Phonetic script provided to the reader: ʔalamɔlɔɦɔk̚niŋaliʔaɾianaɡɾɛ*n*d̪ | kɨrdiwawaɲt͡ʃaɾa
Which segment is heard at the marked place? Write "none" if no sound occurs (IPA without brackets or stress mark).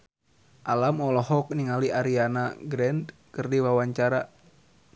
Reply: n